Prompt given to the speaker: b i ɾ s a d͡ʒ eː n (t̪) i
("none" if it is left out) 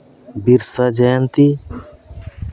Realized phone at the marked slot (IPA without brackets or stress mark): t̪